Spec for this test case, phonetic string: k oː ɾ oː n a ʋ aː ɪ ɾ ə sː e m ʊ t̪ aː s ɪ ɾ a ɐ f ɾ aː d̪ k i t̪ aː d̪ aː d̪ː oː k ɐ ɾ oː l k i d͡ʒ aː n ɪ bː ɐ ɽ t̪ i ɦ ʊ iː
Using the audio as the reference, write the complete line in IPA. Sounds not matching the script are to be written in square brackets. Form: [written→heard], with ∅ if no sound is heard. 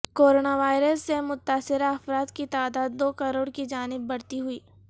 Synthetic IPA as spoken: k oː ɾ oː n a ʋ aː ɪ ɾ ə sː e m ʊ t̪ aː s ɪ ɾ a ɐ f ɾ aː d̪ k i t̪ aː d̪ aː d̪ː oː k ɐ ɾ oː [l→ɽ] k i d͡ʒ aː n ɪ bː ɐ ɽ t̪ i ɦ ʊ iː